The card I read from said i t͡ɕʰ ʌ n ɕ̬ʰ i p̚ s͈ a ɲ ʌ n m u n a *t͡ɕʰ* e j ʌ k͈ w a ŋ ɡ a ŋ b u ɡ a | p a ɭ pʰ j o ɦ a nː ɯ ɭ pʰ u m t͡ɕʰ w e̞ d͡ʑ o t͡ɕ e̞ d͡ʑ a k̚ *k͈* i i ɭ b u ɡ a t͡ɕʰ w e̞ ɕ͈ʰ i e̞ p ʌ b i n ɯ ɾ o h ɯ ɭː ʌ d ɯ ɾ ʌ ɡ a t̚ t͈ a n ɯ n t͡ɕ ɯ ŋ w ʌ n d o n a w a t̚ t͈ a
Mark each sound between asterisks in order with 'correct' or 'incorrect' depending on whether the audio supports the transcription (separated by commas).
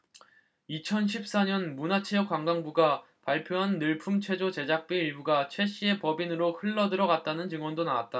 correct, incorrect